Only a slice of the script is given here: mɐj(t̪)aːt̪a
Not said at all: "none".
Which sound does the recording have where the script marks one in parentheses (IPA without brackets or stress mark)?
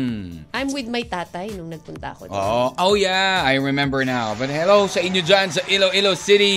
t̪